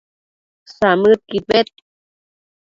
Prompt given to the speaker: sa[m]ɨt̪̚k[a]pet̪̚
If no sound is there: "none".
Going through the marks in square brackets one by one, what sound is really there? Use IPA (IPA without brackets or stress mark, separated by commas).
m, i